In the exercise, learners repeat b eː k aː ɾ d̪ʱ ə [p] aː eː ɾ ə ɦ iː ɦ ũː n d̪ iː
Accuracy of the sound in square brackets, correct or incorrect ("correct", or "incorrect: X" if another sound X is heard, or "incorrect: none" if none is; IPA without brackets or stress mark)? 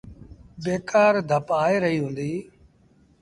correct